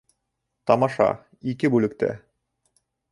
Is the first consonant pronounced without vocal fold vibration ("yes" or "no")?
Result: yes